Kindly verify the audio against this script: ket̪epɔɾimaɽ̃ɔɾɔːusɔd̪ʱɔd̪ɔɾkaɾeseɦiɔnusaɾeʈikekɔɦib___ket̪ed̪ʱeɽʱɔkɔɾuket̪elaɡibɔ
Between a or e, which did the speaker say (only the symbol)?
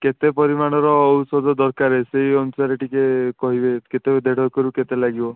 e